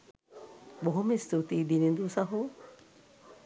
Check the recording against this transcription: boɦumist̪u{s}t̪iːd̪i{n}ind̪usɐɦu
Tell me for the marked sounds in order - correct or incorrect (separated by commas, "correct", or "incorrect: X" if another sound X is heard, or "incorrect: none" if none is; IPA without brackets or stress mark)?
incorrect: none, correct